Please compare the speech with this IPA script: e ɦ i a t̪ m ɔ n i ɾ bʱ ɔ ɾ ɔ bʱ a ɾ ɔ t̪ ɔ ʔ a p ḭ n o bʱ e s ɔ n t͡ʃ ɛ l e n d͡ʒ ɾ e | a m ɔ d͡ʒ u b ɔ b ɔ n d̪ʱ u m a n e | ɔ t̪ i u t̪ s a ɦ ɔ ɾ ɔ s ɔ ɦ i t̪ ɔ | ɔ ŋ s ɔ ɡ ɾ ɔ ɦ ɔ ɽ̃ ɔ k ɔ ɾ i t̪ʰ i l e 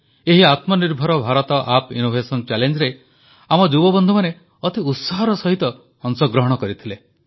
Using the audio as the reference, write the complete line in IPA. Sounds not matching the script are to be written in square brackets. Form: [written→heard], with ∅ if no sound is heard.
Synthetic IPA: e ɦ i a t̪ m ɔ n i ɾ bʱ ɔ ɾ ɔ bʱ a ɾ ɔ t̪ ɔ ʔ a p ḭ n o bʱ e s ɔ n t͡ʃ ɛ l e n d͡ʒ ɾ e | a m ɔ d͡ʒ u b ɔ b ɔ n d̪ʱ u m a n e | ɔ t̪ i u t̪ s a ɦ ɔ ɾ ɔ s ɔ ɦ i t̪ ɔ | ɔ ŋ s ɔ ɡ ɾ ɔ ɦ ɔ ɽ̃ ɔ k ɔ ɾ i t̪ʰ i l e